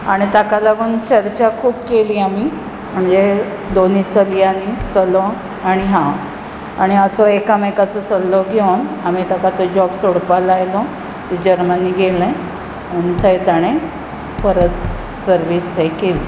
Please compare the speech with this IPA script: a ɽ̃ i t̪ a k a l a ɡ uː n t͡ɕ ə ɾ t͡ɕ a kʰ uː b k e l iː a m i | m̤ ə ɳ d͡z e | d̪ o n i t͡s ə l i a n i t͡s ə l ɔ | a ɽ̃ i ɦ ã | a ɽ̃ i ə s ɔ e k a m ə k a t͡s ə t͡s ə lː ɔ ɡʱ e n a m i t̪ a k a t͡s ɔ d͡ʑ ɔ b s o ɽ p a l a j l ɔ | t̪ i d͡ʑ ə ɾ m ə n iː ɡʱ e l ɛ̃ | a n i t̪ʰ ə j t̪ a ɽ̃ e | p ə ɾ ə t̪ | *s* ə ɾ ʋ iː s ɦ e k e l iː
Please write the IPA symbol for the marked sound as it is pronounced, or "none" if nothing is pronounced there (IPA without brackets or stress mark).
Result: s